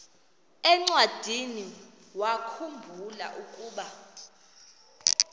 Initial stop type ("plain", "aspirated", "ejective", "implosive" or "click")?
click